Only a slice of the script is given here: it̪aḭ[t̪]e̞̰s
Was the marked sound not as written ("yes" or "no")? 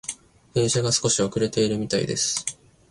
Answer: yes